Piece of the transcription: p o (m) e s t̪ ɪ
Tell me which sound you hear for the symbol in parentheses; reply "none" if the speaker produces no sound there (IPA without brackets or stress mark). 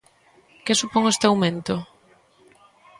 ŋ